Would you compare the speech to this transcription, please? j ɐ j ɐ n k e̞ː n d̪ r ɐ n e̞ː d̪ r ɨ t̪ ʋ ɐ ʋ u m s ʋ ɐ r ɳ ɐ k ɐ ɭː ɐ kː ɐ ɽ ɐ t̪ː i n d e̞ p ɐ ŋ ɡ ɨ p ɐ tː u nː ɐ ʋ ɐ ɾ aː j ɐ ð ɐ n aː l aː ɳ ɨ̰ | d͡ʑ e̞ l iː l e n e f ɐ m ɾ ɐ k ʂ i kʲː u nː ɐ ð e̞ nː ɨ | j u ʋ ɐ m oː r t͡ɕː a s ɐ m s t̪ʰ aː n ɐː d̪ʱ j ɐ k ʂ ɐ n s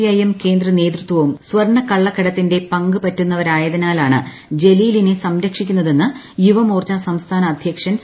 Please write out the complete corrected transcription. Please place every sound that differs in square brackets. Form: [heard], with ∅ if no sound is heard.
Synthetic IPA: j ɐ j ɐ [m] k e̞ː n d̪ r ɐ n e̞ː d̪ r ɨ t̪ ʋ ɐ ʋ u m s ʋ ɐ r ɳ ɐ k ɐ ɭː ɐ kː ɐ ɽ ɐ t̪ː i n d e̞ p ɐ ŋ ɡ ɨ p ɐ tː u nː ɐ ʋ ɐ ɾ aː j ɐ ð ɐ n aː l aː ɳ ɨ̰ | d͡ʑ e̞ l iː l [i] n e [s] ɐ m ɾ ɐ k ʂ i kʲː u nː ɐ ð e̞ nː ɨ | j u ʋ ɐ m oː r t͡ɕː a s ɐ m s t̪ʰ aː n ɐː d̪ʱ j ɐ k ʂ ɐ n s